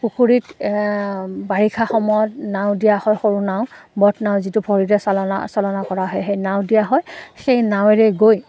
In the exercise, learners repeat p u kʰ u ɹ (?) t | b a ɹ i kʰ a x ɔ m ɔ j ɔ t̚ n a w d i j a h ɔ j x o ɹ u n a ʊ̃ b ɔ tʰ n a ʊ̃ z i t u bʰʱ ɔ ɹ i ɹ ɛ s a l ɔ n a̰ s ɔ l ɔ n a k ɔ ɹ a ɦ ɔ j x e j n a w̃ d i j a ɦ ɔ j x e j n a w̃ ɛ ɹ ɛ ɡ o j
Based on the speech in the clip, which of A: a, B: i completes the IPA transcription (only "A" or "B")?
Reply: B